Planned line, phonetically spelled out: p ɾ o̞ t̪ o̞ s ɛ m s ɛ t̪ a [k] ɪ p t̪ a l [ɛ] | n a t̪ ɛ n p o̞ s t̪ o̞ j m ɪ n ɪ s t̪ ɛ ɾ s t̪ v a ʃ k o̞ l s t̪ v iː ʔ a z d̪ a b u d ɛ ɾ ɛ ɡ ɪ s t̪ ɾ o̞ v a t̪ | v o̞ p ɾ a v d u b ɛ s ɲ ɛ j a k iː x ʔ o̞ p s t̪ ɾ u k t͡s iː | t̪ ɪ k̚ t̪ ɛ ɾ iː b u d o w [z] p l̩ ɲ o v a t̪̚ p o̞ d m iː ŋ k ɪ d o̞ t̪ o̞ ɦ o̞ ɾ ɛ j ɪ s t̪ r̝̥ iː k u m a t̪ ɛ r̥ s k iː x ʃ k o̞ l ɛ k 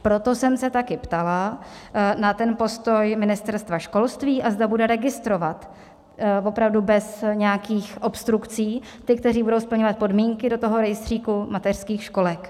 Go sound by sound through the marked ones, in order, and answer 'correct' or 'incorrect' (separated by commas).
correct, incorrect, incorrect